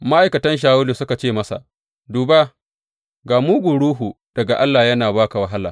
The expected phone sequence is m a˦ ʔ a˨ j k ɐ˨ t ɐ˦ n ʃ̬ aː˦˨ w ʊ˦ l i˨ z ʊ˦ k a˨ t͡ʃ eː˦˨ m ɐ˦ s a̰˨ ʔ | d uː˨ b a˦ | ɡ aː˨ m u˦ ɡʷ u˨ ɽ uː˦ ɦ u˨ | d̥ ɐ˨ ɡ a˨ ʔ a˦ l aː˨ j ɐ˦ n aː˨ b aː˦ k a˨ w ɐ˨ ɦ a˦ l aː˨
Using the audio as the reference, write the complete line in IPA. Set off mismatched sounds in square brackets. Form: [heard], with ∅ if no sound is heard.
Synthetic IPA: m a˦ ʔ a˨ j k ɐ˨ t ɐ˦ n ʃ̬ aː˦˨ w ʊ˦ l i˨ [s] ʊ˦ k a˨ t͡ʃ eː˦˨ m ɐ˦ s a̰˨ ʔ | d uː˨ b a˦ | ɡ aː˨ m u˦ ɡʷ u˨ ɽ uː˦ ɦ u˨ | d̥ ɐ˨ ɡ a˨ ʔ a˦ [lː] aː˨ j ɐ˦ n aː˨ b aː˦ k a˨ w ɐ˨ ɦ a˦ l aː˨